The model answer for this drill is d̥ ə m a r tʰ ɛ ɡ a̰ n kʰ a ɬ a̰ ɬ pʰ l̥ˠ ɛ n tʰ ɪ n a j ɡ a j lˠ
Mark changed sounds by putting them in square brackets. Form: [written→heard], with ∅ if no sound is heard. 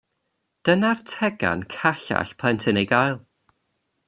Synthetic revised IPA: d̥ ə [m→n] a r tʰ ɛ ɡ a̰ n kʰ a ɬ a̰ ɬ pʰ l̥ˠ ɛ n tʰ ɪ n [a→e] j ɡ a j lˠ

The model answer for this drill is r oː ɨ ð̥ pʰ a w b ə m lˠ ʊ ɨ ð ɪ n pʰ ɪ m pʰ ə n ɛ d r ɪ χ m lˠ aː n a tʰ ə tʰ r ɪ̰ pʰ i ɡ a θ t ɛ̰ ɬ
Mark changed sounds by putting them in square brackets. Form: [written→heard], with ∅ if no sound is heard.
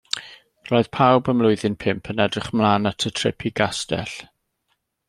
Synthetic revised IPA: r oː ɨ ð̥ pʰ a w b ə m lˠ ʊ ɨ ð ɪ n pʰ ɪ m pʰ ə n ɛ d r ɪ χ m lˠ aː n a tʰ ə tʰ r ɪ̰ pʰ i ɡ a [θ→s] t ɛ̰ ɬ

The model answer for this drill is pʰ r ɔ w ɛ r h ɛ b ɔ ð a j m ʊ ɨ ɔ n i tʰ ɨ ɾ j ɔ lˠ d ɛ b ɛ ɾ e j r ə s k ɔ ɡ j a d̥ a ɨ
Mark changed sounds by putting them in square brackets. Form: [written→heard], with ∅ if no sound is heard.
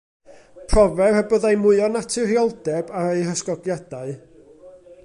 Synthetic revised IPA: pʰ r ɔ [w→v] ɛ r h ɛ b ɔ ð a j m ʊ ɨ ɔ n [i→a] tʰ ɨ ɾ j ɔ lˠ d ɛ b [ɛ→a] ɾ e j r ə s k ɔ ɡ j a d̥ a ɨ

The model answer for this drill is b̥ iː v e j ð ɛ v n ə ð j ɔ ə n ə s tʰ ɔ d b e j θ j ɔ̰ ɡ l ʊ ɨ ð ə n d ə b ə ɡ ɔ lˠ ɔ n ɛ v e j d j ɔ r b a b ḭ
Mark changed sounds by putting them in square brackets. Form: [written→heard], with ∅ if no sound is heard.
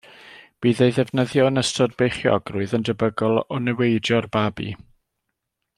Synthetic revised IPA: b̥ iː [v→ð] e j ð ɛ v n ə ð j ɔ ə n ə s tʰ ɔ d b e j [θ→χ] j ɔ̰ ɡ [l→r] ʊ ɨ ð ə n d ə b ə ɡ ɔ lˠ ɔ n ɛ [v→w] e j d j ɔ r b a b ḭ

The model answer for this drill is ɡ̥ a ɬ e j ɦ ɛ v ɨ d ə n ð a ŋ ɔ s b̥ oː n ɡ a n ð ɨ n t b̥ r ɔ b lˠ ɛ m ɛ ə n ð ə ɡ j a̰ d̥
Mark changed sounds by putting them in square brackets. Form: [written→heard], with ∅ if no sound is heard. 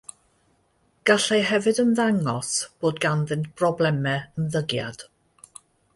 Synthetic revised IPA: ɡ̥ a ɬ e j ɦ ɛ v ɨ d ə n ð a ŋ ɔ s b̥ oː [n→d] ɡ a n ð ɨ n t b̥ r ɔ b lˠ ɛ m ɛ ə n ð ə ɡ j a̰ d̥

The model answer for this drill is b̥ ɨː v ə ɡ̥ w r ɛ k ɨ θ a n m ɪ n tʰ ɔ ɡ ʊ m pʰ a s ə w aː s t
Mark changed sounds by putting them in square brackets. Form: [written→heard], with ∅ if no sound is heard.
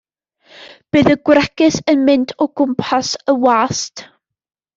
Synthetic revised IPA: b̥ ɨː [v→ð] ə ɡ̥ w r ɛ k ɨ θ [a→ə] n m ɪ n tʰ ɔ ɡ ʊ m pʰ a s ə w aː s t

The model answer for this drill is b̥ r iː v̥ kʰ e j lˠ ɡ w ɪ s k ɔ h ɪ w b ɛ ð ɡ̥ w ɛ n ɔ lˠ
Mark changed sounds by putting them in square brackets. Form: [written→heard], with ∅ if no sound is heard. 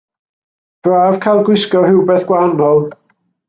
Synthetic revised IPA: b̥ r [iː→aː] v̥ kʰ [e→a] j lˠ ɡ w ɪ s k ɔ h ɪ w b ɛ [ð→θ] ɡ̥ w [ɛ→a] n ɔ lˠ

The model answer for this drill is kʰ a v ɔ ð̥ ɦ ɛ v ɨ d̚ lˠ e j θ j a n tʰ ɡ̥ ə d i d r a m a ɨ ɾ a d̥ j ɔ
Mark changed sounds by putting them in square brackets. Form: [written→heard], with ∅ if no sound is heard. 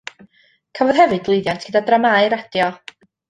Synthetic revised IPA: kʰ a v ɔ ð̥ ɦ ɛ v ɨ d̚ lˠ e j [θ→ð] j a n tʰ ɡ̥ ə d [i→a] d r a m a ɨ ɾ a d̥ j ɔ

